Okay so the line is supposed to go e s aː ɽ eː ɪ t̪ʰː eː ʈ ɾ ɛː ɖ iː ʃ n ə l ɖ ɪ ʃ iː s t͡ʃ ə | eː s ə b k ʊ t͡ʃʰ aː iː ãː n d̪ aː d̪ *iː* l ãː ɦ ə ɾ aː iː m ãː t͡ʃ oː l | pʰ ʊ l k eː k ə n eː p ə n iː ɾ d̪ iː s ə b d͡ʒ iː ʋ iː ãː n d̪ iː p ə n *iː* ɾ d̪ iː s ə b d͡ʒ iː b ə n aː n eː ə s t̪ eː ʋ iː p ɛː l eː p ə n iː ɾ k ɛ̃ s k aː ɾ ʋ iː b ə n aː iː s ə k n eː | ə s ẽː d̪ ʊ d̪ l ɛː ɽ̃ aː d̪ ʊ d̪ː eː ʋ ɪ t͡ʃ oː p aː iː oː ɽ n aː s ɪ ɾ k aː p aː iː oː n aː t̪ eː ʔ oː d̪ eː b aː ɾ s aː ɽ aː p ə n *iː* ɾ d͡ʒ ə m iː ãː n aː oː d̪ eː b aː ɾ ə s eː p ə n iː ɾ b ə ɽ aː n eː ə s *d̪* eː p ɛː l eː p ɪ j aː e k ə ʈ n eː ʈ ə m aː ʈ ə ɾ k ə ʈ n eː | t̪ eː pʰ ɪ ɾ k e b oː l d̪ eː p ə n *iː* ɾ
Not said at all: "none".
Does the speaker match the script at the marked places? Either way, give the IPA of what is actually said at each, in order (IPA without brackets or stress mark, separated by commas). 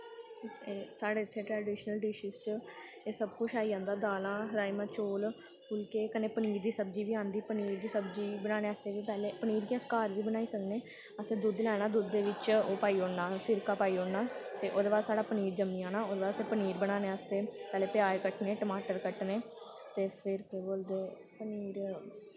aː, iː, iː, t̪, iː